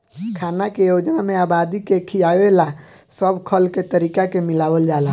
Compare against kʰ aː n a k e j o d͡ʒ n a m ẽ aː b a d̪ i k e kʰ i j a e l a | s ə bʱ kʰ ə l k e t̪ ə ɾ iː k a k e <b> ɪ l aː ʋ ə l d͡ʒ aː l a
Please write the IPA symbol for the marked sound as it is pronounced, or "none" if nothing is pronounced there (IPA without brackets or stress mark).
m